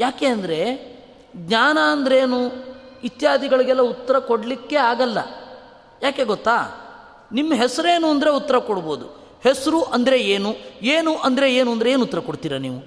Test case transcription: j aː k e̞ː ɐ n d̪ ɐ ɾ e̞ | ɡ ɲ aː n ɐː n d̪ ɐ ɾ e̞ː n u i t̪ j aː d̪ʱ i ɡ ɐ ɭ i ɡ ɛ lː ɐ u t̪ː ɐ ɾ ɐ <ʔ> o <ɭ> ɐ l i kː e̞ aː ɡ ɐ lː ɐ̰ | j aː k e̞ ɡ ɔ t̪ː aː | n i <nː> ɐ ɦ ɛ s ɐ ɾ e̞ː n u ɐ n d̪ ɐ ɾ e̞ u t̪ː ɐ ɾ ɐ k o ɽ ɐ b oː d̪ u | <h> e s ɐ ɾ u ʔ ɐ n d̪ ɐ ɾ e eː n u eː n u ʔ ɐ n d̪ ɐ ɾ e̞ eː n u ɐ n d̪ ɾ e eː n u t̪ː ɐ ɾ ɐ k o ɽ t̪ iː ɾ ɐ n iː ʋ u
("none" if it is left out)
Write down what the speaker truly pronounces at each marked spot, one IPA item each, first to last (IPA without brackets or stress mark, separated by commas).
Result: k, ɽ, mː, h